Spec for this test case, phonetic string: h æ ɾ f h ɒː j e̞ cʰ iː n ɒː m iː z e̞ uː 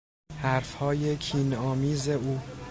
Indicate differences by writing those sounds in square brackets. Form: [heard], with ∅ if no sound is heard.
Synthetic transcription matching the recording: h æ ɾ f h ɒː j e̞ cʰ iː n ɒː m iː z e̞ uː